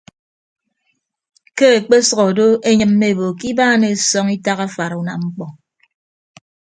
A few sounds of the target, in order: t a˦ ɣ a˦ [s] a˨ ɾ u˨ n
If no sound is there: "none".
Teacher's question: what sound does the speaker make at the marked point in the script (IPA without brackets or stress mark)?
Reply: f